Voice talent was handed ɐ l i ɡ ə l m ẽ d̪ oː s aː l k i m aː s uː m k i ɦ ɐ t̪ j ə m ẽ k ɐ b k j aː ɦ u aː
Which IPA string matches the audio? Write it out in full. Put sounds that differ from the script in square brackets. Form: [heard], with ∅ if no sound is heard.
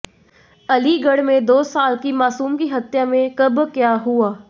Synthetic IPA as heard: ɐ l i ɡ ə [ɽ] m ẽ d̪ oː s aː l k i m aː s uː m k i ɦ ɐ t̪ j [a] m ẽ k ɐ b k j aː ɦ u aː